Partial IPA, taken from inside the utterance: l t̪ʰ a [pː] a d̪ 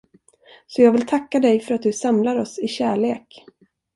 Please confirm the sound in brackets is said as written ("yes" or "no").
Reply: no